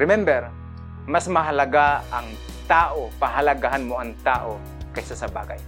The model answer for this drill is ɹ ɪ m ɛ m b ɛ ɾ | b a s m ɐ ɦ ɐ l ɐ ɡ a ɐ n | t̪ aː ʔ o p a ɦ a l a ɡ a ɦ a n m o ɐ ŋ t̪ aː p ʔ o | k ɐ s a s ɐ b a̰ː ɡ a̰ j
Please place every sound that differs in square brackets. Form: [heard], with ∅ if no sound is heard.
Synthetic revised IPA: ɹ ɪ m ɛ m b ɛ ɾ | [m] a s m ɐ ɦ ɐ l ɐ ɡ a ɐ [ŋ] | t̪ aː ʔ o p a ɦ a l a ɡ a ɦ a n m o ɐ ŋ t̪ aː [∅] ʔ o | k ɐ s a s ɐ b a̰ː ɡ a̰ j